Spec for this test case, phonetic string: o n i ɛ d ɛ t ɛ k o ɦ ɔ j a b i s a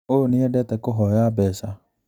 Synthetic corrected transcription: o n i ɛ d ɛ t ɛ k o ɦ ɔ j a b ɛ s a